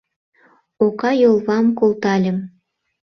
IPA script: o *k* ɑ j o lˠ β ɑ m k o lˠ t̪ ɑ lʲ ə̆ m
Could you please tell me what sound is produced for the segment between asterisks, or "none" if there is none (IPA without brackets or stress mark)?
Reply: k